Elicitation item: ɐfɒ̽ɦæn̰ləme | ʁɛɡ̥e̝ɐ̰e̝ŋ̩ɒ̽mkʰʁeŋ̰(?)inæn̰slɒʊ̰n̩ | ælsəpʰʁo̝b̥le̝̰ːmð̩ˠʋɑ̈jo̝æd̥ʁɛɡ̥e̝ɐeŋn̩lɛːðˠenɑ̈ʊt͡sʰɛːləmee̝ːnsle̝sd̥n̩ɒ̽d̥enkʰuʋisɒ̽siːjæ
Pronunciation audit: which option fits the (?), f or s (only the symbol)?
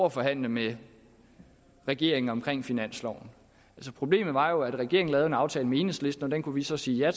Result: f